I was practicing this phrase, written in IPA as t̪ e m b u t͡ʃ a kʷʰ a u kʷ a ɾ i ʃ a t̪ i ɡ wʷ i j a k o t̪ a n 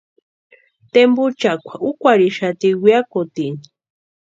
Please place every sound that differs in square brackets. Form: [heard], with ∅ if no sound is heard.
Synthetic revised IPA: t̪ e m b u t͡ʃ a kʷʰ a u kʷ a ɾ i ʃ a t̪ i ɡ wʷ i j a k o t̪ [i] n